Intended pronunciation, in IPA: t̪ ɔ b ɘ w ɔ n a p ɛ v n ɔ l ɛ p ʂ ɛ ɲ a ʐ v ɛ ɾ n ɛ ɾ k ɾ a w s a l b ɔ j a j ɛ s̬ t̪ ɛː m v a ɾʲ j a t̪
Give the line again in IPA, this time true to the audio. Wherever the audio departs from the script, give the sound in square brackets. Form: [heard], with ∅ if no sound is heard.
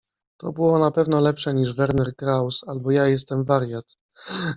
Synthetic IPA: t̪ ɔ b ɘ w ɔ n a p ɛ v n ɔ l ɛ p ʂ ɛ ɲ [i] ʐ v ɛ ɾ n ɛ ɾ k ɾ a w s a l b ɔ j a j ɛ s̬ t̪ [ɛ] m v a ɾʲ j a t̪